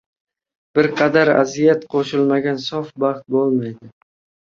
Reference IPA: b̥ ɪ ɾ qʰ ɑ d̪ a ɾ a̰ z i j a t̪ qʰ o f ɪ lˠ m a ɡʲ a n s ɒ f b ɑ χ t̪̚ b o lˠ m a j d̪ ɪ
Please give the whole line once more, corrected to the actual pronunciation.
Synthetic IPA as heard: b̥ ɪ ɾ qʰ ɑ d̪ a ɾ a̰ z i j a t̪ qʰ o ʃ ɪ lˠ m a ɡʲ a n s ɒ f b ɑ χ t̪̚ b o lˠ m a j d̪ ɪ